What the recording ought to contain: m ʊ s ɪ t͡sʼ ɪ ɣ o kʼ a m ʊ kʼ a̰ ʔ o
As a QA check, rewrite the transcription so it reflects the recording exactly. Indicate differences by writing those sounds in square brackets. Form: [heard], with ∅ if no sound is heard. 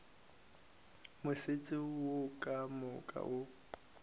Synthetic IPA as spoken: m ʊ s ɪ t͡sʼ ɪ [w] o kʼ a m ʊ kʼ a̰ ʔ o